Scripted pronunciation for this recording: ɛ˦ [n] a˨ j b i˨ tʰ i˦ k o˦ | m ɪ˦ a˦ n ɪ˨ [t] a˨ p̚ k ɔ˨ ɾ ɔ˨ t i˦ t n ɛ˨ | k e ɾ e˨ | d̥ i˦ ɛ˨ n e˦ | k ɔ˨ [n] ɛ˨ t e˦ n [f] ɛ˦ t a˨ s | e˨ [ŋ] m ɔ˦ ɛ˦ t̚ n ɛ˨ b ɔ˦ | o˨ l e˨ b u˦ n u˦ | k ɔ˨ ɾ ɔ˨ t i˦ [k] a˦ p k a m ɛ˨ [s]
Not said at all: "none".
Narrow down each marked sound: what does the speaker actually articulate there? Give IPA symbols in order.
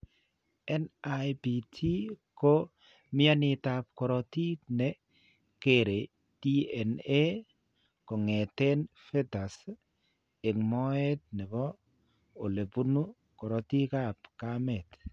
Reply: n, t, ŋ, f, ŋ, k, t

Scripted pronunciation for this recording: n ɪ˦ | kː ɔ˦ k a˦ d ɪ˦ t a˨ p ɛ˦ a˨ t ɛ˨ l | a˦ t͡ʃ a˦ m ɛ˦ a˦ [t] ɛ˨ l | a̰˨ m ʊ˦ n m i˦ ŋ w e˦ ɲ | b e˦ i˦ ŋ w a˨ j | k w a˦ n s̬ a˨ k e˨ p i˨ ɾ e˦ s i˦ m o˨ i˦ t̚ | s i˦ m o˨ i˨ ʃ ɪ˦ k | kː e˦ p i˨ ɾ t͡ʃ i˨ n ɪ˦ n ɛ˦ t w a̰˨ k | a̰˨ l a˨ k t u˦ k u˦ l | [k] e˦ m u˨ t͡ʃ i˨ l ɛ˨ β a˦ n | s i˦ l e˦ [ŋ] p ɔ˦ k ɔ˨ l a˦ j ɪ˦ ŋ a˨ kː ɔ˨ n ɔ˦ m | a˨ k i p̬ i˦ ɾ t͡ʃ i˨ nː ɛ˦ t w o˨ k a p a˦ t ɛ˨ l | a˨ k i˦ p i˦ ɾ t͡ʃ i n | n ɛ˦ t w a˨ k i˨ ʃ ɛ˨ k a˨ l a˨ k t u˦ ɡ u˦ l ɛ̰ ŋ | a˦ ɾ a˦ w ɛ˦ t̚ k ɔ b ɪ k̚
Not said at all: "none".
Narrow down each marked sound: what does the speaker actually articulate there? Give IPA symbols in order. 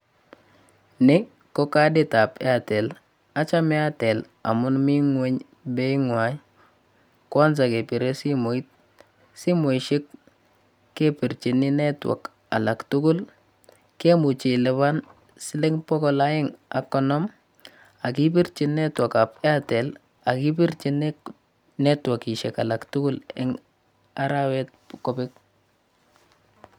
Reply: t, k, ŋ

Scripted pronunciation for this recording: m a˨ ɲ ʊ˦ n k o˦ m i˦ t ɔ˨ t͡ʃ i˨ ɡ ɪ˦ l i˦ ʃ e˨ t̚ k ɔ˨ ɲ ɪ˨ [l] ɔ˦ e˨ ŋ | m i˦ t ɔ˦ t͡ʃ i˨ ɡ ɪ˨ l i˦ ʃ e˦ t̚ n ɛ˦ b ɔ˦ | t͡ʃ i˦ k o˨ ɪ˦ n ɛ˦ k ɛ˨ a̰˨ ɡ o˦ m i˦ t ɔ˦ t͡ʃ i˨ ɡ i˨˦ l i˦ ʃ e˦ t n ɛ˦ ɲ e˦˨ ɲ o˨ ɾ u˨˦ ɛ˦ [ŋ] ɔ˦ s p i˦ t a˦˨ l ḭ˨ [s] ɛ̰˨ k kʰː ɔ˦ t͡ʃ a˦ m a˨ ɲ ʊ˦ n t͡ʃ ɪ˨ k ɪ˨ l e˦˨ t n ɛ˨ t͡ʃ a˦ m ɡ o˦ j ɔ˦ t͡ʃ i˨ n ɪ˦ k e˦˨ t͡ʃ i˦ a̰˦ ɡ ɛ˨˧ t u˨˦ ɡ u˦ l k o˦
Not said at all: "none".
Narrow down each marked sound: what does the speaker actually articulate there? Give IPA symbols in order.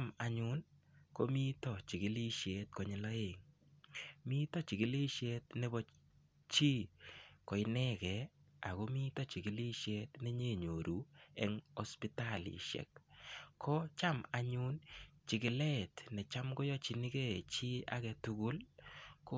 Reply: l, ŋ, ʃ

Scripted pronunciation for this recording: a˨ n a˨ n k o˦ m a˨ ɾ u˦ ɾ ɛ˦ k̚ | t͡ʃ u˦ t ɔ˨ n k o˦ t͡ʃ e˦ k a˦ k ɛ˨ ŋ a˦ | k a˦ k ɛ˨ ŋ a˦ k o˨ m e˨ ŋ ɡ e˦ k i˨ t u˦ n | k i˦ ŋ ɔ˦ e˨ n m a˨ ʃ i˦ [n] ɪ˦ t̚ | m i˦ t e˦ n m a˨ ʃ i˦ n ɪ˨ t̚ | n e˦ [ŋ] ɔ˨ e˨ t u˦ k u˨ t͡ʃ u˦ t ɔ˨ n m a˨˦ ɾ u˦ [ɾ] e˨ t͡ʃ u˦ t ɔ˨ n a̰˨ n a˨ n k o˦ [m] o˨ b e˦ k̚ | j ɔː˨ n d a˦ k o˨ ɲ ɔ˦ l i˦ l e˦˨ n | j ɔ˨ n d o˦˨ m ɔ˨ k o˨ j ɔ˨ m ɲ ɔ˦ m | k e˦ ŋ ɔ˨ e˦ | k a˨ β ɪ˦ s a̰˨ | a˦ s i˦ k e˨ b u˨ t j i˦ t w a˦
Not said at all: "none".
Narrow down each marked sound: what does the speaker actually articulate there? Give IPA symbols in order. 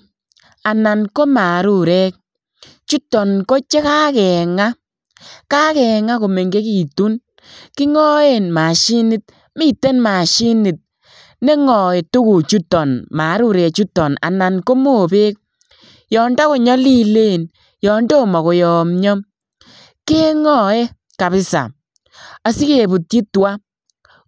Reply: n, ŋ, ɾ, m

